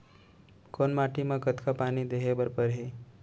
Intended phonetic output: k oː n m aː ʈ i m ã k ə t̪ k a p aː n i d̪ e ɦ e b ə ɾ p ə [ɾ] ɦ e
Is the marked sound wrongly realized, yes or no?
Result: no